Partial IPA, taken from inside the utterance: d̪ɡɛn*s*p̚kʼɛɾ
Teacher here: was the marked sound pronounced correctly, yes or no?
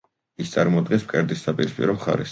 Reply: yes